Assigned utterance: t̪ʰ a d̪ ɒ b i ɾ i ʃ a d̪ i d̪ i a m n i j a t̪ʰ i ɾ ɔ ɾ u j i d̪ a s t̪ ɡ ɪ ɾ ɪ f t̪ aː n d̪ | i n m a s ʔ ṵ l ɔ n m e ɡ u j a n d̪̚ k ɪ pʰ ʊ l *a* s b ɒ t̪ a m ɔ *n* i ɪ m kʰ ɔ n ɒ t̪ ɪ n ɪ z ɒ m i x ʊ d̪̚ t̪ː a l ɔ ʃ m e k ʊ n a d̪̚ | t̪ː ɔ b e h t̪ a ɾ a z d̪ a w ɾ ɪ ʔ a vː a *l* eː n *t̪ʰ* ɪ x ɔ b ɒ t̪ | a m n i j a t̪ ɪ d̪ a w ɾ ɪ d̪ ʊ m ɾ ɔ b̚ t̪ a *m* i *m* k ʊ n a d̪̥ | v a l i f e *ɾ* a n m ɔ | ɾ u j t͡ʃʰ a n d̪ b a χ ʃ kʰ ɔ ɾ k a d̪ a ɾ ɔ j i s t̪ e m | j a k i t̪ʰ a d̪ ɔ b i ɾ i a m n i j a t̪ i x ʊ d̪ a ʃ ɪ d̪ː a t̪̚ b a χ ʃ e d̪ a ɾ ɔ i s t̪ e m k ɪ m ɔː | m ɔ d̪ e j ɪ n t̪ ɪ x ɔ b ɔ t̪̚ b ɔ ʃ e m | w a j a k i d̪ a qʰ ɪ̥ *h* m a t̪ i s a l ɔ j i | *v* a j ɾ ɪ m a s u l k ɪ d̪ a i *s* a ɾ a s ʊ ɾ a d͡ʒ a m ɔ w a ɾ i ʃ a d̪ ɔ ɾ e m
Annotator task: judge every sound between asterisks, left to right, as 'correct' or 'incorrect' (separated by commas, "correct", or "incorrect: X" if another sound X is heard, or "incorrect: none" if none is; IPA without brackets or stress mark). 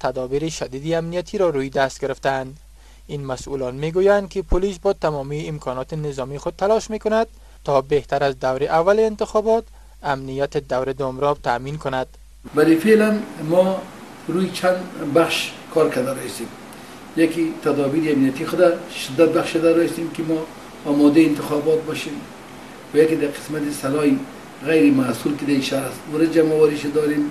incorrect: i, incorrect: m, correct, incorrect: t̪, correct, incorrect: n, incorrect: l, incorrect: s, incorrect: ɣ, incorrect: ʃ